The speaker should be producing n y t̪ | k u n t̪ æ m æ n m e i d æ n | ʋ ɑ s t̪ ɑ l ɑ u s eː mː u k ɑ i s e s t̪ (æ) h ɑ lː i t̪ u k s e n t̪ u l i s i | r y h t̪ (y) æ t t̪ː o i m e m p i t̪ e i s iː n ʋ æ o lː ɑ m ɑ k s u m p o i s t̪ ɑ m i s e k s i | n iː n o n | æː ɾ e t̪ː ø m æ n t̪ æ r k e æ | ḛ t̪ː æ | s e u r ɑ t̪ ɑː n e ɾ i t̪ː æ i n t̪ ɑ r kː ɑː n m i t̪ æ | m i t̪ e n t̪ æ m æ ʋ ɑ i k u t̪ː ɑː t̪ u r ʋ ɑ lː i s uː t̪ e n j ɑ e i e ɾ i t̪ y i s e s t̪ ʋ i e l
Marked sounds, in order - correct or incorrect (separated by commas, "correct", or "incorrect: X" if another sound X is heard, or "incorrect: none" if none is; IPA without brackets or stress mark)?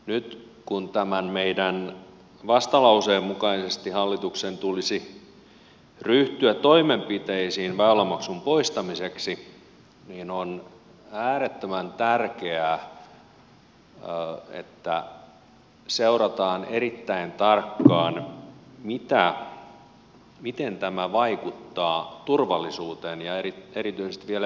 incorrect: i, correct